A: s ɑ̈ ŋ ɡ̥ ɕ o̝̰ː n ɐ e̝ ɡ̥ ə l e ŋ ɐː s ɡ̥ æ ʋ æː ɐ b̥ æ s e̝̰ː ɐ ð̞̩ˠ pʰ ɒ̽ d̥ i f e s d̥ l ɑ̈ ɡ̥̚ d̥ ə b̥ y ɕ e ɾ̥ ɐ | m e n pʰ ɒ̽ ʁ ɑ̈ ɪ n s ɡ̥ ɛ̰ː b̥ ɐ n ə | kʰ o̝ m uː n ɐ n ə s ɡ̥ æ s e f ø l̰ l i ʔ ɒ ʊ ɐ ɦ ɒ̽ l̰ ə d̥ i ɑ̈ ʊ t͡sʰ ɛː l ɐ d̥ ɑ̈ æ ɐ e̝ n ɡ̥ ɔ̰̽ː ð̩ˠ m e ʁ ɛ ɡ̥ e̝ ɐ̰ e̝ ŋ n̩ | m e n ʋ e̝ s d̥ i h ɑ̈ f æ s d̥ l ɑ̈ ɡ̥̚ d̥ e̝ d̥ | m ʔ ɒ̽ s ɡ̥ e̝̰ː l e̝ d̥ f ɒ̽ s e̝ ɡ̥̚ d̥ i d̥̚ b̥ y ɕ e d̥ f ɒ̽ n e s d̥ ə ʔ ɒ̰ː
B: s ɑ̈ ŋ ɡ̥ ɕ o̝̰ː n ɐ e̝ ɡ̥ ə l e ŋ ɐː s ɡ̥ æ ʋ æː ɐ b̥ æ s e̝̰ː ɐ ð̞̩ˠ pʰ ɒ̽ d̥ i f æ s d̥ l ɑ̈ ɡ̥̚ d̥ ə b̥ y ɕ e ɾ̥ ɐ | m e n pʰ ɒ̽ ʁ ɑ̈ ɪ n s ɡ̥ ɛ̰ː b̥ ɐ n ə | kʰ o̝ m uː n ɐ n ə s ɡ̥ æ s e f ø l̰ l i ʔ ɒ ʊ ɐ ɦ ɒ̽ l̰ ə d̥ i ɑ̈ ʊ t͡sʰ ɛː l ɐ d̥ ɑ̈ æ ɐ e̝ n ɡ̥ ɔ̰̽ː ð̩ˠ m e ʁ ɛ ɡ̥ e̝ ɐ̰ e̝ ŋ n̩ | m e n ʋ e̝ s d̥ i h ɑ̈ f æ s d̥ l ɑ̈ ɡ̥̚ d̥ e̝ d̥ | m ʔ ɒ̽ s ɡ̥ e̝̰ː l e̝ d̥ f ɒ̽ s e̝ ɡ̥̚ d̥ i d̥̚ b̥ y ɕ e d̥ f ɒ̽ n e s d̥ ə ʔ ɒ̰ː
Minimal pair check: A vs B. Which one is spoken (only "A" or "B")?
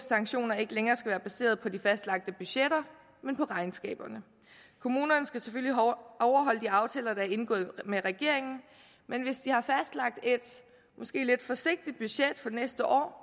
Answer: B